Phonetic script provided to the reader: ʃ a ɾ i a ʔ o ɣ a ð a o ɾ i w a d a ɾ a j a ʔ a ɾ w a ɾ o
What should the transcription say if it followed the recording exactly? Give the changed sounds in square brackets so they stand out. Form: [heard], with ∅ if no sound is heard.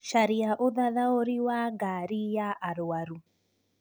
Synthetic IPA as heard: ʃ a ɾ i a ʔ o [ð] a ð a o ɾ i w a [ɡ] a ɾ [i] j a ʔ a ɾ w a ɾ [u]